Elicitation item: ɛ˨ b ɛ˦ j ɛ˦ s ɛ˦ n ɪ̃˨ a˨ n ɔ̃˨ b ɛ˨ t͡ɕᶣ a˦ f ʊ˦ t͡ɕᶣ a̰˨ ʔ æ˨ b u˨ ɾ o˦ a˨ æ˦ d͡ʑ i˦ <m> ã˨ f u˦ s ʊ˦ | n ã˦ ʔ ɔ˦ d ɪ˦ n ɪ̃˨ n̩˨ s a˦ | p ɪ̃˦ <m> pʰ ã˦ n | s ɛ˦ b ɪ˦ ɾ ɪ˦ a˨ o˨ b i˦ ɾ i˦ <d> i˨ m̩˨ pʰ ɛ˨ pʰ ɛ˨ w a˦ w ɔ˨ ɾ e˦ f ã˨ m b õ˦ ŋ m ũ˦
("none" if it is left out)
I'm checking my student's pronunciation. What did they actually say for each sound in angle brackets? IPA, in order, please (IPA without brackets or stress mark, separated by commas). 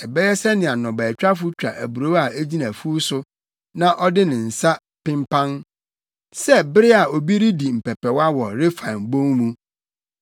n, m, d